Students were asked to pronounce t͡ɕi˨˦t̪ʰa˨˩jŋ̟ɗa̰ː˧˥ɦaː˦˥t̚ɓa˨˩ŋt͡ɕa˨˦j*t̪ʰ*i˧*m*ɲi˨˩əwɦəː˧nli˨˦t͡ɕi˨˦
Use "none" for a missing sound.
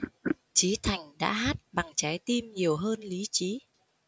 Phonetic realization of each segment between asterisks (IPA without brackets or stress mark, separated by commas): t̪, m